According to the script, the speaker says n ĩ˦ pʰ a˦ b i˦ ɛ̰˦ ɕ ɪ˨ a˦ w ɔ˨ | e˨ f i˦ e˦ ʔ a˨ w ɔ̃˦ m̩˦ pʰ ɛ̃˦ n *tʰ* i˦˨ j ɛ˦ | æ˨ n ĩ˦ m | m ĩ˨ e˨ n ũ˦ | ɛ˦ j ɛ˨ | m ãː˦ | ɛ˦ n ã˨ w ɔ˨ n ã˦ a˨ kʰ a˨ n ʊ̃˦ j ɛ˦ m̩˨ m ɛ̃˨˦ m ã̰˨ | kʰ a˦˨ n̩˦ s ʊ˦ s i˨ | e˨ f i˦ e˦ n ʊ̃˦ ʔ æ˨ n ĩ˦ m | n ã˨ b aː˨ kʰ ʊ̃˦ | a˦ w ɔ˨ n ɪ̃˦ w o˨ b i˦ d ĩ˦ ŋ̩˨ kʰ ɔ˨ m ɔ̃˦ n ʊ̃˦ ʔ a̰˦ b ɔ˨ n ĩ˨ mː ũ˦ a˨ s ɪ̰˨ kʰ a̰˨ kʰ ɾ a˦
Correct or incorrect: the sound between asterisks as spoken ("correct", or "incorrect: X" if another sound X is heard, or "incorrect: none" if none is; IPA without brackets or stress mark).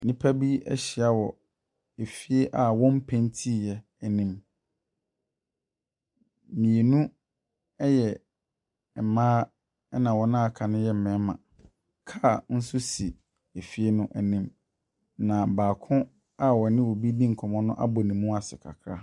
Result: correct